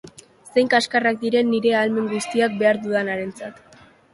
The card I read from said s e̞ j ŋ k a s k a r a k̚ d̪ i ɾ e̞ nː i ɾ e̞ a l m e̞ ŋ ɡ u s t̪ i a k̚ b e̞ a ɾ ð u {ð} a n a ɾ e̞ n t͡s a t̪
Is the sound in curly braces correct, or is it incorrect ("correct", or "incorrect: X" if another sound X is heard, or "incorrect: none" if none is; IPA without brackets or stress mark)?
correct